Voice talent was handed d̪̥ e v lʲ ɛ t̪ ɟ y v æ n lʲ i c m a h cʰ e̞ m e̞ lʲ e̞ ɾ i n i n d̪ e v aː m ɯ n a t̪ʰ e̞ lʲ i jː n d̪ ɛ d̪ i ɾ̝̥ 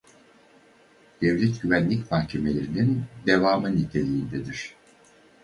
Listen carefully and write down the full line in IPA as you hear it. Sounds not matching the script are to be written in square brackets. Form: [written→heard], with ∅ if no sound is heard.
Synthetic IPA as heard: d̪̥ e v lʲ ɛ t̪ ɟ y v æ n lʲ i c m a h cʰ e̞ m e̞ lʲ e̞ ɾ i n i n d̪ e v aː m ɯ n [a→i] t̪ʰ e̞ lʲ i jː n d̪ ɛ d̪ i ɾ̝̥